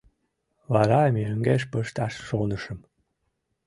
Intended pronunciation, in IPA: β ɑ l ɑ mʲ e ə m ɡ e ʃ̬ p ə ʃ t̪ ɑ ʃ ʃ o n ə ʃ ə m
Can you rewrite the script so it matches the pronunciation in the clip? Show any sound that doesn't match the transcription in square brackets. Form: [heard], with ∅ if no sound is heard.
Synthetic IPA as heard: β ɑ [ɾ] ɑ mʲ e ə [ŋ] ɡ e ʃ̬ p ə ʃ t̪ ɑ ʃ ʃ o n ə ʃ ə m

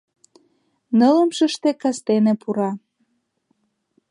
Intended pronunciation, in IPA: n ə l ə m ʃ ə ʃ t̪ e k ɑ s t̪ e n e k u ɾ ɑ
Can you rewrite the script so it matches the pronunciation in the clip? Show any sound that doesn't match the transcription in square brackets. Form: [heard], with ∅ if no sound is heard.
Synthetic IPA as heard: n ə l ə m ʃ ə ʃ t̪ e k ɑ s t̪ e n e [p] u ɾ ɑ

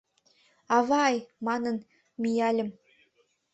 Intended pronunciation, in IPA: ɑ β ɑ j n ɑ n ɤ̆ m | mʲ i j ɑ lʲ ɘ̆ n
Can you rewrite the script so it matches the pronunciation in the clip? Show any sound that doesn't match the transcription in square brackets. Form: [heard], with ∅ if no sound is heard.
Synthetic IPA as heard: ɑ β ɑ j [m] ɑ n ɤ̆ [n] | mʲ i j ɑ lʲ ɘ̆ [m]

